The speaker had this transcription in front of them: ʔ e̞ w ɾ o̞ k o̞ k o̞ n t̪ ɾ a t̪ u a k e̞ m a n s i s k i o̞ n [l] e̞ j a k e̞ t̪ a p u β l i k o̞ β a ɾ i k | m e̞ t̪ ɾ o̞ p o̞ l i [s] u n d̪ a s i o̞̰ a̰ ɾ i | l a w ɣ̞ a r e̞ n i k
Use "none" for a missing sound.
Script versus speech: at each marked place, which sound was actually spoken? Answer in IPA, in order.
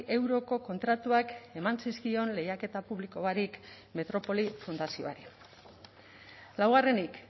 l, f

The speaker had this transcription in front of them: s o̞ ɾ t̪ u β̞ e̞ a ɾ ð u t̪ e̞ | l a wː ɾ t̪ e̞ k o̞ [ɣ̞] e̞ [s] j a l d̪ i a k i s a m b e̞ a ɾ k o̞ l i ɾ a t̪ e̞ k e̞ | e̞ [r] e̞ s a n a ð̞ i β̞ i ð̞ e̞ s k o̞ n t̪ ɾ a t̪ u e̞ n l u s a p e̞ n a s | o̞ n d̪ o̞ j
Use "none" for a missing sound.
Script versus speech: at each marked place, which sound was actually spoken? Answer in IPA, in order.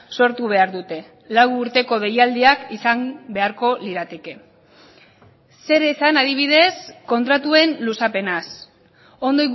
ð̞, none, ɾ

